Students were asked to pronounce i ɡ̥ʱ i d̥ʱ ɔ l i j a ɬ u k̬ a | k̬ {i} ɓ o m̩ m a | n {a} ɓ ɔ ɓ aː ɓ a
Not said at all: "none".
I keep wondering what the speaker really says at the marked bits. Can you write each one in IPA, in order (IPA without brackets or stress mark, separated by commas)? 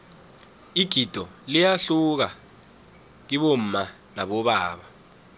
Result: i, a